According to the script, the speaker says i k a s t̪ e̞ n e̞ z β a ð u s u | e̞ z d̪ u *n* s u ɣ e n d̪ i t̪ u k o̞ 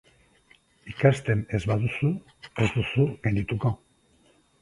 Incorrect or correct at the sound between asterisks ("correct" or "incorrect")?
incorrect